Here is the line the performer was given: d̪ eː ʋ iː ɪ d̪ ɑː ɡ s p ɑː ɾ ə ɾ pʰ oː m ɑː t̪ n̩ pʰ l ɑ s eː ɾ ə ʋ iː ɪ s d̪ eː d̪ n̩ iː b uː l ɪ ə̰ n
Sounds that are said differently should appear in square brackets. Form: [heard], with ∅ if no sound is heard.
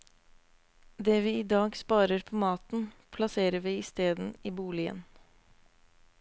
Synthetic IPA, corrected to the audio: d̪ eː ʋ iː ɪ d̪ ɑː ɡ s p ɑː ɾ ə ɾ pʰ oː m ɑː t̪ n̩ pʰ l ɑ s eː ɾ ə ʋ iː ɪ s [t̪] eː d̪ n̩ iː b uː l ɪ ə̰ n